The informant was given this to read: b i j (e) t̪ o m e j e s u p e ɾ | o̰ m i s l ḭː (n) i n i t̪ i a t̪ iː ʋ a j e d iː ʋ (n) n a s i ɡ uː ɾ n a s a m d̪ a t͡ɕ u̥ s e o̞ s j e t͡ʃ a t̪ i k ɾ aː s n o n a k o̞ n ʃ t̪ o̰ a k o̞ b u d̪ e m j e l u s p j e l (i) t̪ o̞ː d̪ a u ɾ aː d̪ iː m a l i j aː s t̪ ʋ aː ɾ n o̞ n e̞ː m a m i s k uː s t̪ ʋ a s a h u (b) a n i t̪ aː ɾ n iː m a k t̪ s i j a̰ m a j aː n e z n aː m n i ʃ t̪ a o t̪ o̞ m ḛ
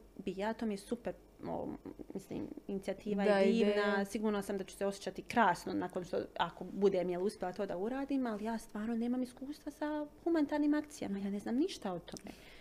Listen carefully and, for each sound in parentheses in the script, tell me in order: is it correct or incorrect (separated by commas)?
incorrect, incorrect, correct, incorrect, incorrect